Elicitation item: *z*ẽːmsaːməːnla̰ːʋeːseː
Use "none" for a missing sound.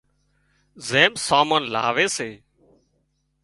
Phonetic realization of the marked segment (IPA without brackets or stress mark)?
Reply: z